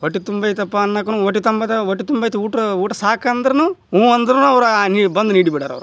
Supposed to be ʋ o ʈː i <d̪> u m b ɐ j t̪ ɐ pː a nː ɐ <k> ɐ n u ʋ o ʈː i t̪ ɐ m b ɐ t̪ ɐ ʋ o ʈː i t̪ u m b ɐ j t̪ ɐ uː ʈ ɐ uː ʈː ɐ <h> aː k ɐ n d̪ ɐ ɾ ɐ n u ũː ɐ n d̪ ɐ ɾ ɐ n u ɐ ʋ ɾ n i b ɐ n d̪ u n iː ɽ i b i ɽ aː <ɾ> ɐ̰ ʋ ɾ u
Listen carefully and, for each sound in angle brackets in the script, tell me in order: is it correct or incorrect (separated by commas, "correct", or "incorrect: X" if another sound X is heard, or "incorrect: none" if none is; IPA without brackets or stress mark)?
incorrect: t̪, correct, incorrect: s, correct